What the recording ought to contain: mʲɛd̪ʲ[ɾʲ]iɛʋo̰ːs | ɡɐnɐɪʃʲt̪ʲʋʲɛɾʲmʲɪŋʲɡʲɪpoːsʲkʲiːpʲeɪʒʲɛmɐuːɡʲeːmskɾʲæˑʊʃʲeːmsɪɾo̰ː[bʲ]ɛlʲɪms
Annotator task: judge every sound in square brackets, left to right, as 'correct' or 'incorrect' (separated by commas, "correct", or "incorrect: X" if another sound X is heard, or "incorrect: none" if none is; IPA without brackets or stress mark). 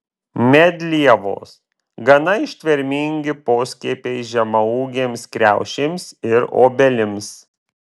incorrect: lʲ, correct